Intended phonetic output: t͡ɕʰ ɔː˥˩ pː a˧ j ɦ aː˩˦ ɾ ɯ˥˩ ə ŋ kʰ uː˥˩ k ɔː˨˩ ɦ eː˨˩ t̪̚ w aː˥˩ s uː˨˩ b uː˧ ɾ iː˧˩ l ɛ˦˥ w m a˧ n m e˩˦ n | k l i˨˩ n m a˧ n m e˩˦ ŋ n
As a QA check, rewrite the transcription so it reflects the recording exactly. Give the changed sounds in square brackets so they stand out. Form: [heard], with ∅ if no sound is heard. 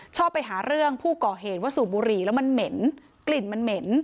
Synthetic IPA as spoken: t͡ɕʰ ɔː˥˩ pː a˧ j ɦ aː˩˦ ɾ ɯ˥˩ ə ŋ [pʰ] uː˥˩ k ɔː˨˩ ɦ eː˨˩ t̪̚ w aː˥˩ s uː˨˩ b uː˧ ɾ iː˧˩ l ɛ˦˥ w m a˧ n m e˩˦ n | k l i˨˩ n m a˧ n m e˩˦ [∅] n